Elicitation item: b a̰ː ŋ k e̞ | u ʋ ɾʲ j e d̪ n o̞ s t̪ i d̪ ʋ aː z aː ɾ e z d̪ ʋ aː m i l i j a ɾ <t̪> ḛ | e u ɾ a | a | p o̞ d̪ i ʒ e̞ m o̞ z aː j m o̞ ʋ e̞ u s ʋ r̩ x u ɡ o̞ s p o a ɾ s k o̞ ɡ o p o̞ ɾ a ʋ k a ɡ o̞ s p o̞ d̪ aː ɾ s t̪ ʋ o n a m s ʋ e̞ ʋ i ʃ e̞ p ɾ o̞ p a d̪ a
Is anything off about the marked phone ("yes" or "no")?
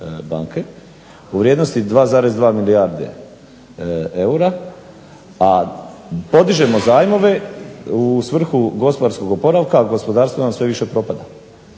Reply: yes